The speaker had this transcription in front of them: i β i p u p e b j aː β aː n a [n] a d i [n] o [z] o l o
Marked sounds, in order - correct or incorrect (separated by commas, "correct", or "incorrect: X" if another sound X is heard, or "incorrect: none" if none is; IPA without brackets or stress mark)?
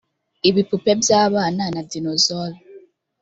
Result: correct, correct, correct